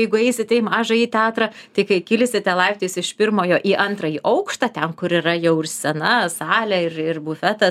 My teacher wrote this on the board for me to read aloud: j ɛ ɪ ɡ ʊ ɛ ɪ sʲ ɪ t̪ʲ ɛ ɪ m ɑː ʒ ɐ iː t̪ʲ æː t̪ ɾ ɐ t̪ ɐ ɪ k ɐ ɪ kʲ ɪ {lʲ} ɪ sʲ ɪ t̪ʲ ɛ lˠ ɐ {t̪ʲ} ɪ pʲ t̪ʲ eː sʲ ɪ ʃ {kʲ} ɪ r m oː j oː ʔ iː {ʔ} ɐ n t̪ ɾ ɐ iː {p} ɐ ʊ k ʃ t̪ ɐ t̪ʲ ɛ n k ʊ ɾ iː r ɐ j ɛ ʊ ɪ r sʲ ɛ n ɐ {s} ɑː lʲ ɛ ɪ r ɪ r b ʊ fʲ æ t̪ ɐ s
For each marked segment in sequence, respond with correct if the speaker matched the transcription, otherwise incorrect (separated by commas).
correct, incorrect, incorrect, correct, incorrect, correct